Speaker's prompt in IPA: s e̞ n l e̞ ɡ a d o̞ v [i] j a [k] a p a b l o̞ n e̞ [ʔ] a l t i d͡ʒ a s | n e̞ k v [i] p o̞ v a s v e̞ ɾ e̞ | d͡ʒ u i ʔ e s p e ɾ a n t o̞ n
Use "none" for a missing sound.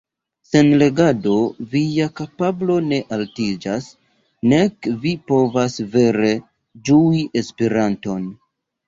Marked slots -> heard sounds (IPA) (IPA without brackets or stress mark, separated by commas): i, k, ʔ, i